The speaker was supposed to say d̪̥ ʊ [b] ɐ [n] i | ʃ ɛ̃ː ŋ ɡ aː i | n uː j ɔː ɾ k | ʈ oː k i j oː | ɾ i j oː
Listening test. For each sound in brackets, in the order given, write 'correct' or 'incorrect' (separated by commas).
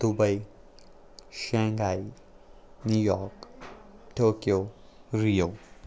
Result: correct, incorrect